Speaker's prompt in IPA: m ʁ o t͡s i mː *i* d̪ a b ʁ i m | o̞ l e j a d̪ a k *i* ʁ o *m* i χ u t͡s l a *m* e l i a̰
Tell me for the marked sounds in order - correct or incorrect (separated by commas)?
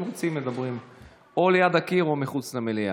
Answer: incorrect, correct, correct, correct